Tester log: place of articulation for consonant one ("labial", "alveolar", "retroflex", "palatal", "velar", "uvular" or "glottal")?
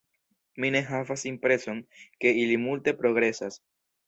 labial